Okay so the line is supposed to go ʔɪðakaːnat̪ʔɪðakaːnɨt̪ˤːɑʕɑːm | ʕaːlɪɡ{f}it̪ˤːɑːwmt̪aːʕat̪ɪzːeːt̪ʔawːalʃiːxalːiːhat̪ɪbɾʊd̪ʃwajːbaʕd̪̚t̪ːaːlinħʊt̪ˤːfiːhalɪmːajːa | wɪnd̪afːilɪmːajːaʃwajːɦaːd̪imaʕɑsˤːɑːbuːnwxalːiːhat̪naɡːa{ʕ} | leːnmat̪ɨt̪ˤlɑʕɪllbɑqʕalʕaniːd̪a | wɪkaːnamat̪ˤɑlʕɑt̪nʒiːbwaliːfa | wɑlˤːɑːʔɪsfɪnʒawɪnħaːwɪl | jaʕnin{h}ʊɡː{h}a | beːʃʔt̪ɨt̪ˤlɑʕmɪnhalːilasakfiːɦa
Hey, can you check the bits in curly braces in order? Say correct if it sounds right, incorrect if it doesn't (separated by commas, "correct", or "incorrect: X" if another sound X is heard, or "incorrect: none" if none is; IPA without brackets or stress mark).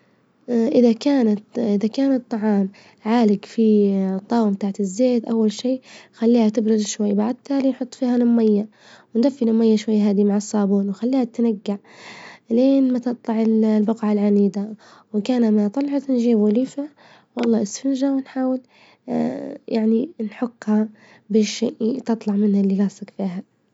correct, correct, incorrect: ħ, correct